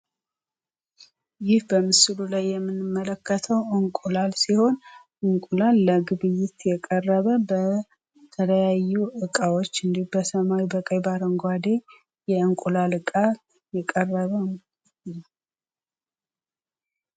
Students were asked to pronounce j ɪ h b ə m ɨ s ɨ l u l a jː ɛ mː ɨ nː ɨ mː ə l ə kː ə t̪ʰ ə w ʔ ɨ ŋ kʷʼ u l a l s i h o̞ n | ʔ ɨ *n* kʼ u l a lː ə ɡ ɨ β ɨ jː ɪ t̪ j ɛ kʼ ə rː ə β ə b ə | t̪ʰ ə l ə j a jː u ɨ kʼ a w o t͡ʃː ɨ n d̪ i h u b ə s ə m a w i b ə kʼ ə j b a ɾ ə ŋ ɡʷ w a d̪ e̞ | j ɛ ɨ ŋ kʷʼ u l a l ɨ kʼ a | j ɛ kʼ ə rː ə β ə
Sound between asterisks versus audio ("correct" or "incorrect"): incorrect